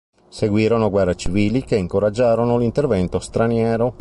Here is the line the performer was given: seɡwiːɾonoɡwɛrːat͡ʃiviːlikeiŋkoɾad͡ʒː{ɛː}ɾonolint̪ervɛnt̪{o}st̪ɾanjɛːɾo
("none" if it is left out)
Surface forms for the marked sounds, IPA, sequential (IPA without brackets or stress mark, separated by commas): aː, o